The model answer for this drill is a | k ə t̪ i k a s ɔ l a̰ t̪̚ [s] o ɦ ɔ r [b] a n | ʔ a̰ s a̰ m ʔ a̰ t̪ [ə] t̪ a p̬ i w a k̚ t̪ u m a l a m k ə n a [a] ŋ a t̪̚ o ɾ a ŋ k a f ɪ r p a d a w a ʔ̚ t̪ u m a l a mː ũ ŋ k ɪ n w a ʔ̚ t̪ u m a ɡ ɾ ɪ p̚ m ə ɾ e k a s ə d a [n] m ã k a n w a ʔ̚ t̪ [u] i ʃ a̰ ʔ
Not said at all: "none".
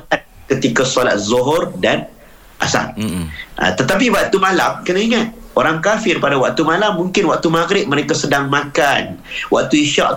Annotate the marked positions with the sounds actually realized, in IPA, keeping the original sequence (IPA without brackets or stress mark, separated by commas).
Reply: z, d, ə, i, ŋ, u